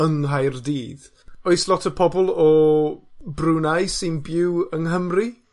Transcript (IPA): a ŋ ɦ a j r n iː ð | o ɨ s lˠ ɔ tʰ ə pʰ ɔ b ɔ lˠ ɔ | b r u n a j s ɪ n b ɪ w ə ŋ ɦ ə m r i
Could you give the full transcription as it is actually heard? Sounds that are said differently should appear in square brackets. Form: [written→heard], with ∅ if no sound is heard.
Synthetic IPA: [a→ə] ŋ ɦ a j r [n→d] iː ð | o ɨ s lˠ ɔ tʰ ə pʰ ɔ b ɔ lˠ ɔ | b r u n a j s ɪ n b ɪ w ə ŋ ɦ ə m r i

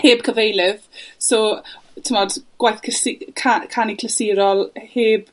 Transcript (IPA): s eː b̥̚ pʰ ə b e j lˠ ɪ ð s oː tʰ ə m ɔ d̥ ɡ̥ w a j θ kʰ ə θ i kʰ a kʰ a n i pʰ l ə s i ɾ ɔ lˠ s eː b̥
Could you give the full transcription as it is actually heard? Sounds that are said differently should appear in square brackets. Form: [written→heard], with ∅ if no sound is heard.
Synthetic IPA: [s→h] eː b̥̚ [pʰ→kʰ] ə [b→v] e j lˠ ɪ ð s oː tʰ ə m ɔ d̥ ɡ̥ w a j θ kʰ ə [θ→s] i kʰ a kʰ a n i [pʰ→kʰ] l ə s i ɾ ɔ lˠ [s→h] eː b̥

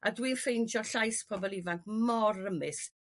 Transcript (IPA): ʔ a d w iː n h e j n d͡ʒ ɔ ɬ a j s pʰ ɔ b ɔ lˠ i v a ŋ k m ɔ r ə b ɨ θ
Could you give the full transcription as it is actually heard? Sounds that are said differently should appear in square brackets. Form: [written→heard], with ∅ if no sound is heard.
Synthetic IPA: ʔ a d w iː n [h→f] e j n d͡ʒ ɔ ɬ a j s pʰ ɔ b ɔ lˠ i v a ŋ k m ɔ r ə [b→m] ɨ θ

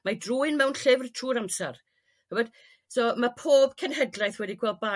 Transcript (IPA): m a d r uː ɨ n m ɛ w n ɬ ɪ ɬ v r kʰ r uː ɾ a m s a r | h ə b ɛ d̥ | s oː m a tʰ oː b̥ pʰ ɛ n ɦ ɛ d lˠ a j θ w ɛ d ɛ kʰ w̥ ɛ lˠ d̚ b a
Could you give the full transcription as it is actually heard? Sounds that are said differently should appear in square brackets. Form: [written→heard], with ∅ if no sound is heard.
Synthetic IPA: m a d r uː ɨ n m ɛ w n ɬ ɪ [ɬ→∅] v r [kʰ→tʰ] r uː ɾ a m s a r | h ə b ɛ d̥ | s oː m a [tʰ→pʰ] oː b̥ [pʰ→kʰ] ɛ n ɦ ɛ d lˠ a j θ w ɛ d [ɛ→i] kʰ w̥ ɛ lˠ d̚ b a

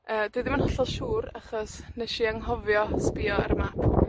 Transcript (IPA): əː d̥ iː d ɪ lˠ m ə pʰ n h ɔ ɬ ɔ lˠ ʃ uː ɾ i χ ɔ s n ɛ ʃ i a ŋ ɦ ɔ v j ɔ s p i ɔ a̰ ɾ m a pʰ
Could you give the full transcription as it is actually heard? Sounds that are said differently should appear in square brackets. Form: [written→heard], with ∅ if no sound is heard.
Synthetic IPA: əː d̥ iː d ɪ [lˠ→∅] m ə [pʰ→∅] n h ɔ ɬ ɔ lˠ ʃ uː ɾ [i→a] χ ɔ s n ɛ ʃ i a ŋ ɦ ɔ v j ɔ s p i ɔ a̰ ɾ m a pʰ

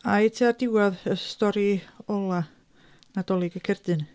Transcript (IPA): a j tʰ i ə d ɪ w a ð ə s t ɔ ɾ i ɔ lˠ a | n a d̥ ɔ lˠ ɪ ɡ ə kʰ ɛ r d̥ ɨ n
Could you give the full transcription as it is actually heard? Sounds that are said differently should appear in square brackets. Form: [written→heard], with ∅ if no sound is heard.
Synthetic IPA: a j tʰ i [ə→a] d ɪ w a ð ə s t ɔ ɾ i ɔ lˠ a | n a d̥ ɔ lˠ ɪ ɡ ə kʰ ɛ r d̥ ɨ n

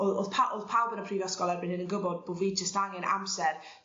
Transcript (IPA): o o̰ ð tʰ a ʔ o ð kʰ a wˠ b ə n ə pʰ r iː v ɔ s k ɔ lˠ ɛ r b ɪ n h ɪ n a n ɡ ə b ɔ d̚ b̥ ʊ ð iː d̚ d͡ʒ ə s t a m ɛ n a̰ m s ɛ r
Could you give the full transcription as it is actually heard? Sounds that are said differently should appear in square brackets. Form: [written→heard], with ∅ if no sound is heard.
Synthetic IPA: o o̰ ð [tʰ→pʰ] a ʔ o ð [kʰ→pʰ] a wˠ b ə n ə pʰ r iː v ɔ s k ɔ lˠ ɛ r b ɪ n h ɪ n [a→ə] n ɡ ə b ɔ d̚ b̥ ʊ [ð→v] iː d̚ d͡ʒ ə s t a [m→ŋ] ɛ n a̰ m s ɛ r

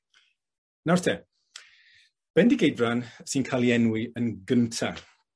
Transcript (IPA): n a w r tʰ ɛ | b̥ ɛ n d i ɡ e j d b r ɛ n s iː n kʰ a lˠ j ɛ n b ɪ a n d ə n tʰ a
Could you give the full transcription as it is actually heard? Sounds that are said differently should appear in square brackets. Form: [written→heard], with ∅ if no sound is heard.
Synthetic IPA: n a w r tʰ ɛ | b̥ ɛ n d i ɡ e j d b r [ɛ→a] n s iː n kʰ a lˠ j ɛ n [b→w] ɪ [a→ə] n [d→ɡ] ə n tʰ a

